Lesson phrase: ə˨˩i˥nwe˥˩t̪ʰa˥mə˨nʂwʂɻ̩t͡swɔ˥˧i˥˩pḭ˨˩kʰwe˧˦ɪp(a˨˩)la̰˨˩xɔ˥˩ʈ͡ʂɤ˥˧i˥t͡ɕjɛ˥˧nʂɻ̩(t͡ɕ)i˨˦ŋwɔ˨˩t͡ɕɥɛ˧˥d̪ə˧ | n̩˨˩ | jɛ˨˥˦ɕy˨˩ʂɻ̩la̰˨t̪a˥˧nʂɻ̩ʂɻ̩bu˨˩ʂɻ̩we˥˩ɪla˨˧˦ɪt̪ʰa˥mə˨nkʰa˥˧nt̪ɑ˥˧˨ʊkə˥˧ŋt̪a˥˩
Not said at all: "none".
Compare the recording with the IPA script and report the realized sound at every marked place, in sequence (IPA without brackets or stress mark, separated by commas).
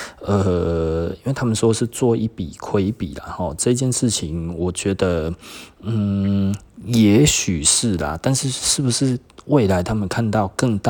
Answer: i˨˩, t͡ɕʰ